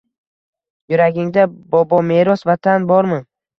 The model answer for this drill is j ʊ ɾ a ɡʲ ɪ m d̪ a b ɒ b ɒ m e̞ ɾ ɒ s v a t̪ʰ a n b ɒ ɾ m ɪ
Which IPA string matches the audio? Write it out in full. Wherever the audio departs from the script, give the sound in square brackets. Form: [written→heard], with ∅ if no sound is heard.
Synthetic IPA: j ʊ ɾ a ɡʲ ɪ [m→ŋ] d̪ a b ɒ b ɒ m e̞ ɾ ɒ s v a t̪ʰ a n b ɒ ɾ m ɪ